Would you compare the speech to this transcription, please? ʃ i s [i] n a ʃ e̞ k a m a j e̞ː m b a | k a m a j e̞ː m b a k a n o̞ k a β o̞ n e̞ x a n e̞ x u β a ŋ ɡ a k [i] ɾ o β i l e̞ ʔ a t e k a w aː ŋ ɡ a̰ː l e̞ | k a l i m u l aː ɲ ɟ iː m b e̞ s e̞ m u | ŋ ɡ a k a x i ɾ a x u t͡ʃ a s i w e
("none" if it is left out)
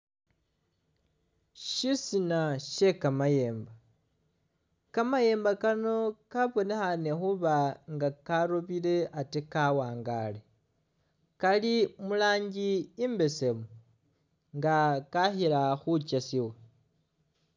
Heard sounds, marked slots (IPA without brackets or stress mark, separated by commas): i, a